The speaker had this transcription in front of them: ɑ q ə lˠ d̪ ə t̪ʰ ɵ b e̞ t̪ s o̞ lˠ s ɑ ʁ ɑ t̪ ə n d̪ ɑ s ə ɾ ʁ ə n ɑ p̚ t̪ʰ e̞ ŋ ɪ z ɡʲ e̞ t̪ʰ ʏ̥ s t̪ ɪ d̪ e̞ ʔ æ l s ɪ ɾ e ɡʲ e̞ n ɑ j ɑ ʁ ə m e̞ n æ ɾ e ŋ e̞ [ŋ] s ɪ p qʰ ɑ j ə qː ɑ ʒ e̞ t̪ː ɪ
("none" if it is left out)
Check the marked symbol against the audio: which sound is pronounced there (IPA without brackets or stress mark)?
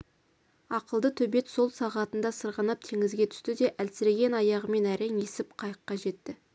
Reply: none